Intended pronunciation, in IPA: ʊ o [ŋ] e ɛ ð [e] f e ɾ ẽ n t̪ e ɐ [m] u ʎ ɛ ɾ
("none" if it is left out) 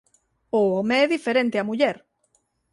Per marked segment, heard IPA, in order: m, i, m

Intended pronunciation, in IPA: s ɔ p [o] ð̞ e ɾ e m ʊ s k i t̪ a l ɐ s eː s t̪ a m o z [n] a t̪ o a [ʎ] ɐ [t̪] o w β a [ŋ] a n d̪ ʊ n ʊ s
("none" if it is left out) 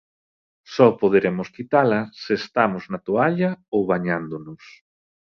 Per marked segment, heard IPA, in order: o, n, ʎ, none, ɲ

